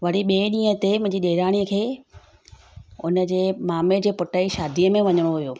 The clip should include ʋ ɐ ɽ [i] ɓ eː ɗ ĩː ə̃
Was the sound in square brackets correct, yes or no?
yes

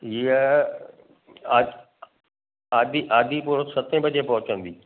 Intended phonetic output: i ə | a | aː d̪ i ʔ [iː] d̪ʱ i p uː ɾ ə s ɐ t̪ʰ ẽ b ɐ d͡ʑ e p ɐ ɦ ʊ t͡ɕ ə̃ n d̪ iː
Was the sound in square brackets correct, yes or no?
no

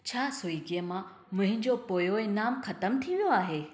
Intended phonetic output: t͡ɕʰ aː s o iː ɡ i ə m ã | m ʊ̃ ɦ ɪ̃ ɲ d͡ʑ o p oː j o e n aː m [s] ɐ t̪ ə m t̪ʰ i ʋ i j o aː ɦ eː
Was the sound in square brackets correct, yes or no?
no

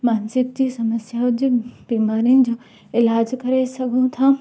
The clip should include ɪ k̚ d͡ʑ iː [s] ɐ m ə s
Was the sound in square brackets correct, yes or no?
yes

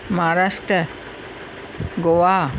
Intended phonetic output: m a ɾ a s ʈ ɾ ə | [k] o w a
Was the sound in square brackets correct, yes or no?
no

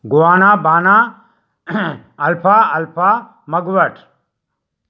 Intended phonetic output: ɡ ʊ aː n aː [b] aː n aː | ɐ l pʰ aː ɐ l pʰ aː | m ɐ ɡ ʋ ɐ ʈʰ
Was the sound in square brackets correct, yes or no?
yes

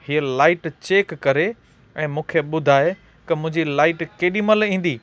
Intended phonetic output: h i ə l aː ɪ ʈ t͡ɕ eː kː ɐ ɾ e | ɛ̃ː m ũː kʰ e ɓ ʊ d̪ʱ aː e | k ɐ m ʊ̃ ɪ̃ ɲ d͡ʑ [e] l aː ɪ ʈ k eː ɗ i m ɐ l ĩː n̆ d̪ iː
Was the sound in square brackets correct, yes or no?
no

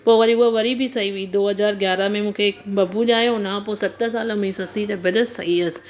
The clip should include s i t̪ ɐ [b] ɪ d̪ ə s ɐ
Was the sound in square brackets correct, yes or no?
yes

